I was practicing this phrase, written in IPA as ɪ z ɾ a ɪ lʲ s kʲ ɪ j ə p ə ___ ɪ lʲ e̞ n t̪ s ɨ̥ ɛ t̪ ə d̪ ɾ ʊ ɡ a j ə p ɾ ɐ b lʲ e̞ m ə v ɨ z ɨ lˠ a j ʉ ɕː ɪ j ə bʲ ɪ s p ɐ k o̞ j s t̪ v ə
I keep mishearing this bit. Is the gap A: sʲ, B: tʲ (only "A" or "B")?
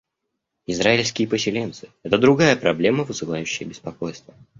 A